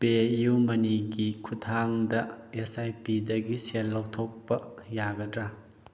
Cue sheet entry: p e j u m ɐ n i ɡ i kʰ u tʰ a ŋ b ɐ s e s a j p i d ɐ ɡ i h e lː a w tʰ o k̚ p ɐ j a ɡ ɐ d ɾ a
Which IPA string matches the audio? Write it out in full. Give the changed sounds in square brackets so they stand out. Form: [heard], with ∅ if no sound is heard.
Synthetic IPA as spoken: p e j u m ɐ n i ɡ i kʰ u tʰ a ŋ [d] ɐ [∅] e s a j p i d ɐ ɡ i [s] e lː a w tʰ o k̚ p ɐ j a ɡ ɐ d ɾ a